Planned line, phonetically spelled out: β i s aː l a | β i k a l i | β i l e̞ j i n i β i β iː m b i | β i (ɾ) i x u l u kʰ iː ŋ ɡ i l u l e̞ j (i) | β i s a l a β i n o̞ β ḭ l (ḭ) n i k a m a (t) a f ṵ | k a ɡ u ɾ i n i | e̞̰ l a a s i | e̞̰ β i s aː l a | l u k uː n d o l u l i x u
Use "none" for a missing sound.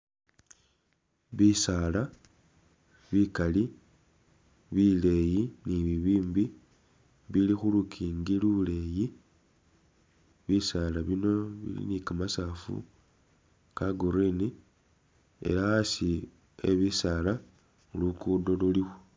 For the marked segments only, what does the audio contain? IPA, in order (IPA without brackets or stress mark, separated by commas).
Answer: l, i, ḭ, s